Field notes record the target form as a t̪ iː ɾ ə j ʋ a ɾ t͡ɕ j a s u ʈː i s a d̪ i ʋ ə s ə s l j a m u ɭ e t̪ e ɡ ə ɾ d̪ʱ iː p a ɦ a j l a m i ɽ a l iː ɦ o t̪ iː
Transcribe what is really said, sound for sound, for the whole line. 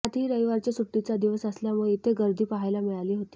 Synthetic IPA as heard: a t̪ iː ɾ ə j ʋ a ɾ t͡ɕ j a s u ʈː i t͡s a d̪ i ʋ ə s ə s l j a m u ɭ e t̪ e ɡ ə ɾ d̪ʱ iː p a ɦ a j l a m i ɭ a l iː ɦ o t̪ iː

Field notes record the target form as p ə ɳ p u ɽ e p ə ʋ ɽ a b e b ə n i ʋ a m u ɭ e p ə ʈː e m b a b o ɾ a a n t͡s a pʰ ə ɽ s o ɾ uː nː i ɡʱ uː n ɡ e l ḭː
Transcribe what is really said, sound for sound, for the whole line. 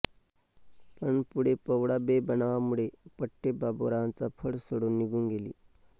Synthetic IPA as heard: p ə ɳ p u ɽ e p ə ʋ ɽ a b e b ə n a ʋ a m u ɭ e p ə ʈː e b a b o ɾ a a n t͡s a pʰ ə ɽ s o ɽ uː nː i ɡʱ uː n ɡ e l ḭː

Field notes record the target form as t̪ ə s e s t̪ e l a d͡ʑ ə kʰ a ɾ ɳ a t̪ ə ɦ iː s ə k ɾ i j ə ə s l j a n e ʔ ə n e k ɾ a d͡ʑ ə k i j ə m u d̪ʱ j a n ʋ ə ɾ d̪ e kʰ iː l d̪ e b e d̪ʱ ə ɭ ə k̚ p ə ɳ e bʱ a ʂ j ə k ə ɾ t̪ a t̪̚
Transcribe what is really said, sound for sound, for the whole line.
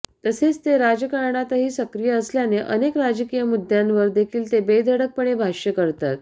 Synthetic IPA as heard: t̪ ə s e t͡s t̪ e ɾ a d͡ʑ ə k a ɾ ɳ a t̪ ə ɦ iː s ə k ɾ i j ə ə s l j a n e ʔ ə n e k ɾ a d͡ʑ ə k i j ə m u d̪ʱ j a n ʋ ə ɾ d̪ e kʰ iː l t̪ e b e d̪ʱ ə ɽ ə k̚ p ə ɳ e bʱ a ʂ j ə k ə ɾ t̪ a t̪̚

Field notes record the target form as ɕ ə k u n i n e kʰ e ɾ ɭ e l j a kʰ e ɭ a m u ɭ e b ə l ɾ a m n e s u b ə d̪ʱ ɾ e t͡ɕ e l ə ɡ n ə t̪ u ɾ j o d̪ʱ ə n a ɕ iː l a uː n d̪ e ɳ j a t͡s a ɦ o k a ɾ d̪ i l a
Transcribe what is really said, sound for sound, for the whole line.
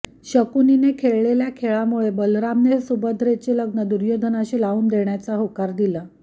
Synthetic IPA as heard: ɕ ə k u n i n e kʰ e ɭ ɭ e l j a kʰ e ɭ a m u ɭ e b ə l ɾ a m n e s u b ə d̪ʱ ɾ e t͡ɕ e l ə ɡ n ə d̪ u ɾ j o d̪ʱ ə n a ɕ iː l a uː n d̪ e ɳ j a t͡s a ɦ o k a ɾ d̪ i l a

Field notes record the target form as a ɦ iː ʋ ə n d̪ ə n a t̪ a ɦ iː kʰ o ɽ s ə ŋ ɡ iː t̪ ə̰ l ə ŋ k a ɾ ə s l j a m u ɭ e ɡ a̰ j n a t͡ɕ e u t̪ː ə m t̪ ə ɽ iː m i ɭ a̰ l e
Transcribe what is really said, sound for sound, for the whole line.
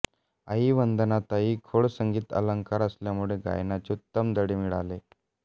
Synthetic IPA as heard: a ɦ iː ʋ ə n d̪ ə n a t̪ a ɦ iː kʰ o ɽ s ə ŋ ɡ iː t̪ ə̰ l ə ŋ k a ɾ ə s l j a m u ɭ e ɡ a̰ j n a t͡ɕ e u t̪ː ə m d̪ ə ɽ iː m i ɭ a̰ l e

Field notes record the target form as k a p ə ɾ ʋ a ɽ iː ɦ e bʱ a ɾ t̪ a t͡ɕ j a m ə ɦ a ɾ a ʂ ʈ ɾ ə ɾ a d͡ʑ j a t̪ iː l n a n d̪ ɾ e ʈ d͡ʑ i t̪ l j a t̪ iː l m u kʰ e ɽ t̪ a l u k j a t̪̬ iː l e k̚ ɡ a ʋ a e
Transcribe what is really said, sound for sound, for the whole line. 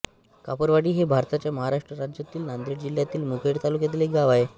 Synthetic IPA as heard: k a p ə ɾ ʋ a ɽ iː ɦ e bʱ a ɾ t̪ a t͡ɕ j a m ə ɦ a ɾ a ʂ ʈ ɾ ə ɾ a d͡ʑ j a t̪ iː l n a n d̪ ɾ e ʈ d͡ʑ i l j a t̪ iː l m u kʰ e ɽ t̪ a l u k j a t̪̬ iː l e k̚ ɡ a ʋ a e

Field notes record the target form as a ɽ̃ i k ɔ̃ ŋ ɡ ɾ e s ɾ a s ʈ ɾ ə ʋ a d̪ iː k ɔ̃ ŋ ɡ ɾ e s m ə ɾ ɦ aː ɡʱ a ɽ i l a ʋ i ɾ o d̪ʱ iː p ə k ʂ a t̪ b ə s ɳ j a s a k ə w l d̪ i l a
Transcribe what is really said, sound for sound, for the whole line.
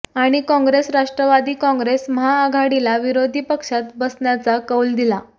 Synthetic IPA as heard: a ɽ̃ i k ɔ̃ ŋ ɡ ɾ e s ɾ a ʂ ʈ ɾ ə ʋ a d̪ iː k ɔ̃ ŋ ɡ ɾ e s m ə ɦ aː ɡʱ a ɽ i l a ʋ i ɾ o d̪ʱ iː p ə k ʂ a t̪ b ə s ɳ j a t͡s a k ə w l d̪ i l a

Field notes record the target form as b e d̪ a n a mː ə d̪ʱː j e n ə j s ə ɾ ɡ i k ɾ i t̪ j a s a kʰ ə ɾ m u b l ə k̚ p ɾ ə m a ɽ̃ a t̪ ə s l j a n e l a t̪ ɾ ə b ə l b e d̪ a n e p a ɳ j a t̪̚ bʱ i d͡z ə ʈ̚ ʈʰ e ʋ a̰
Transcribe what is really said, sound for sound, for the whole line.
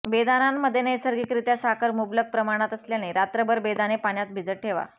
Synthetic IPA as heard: b e d̪ a n a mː ə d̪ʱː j e n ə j s ə ɾ ɡ i k ɾ i t̪ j a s a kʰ ə ɾ m u b l ə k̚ p ɾ ə m a ɽ̃ a t̪ ə s l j a n e ɾ a t̪ ɾ ə b ə ɾ b e d̪ a n e p a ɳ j a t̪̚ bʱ i d͡z ə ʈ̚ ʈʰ e ʋ a̰

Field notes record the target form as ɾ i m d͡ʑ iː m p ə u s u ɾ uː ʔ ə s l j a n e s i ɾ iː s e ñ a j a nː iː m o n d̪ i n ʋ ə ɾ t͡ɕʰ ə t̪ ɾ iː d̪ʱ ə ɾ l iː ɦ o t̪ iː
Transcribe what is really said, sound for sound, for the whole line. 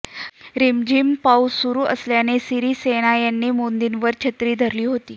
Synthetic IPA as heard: ɾ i m d͡ʑ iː m p a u s u ɾ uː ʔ ə s l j a n e s i ɾ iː s e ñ a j a nː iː m o n d̪ i n ʋ ə ɾ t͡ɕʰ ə t̪ ɾ iː d̪ʱ ə ɾ l iː ɦ o t̪ iː

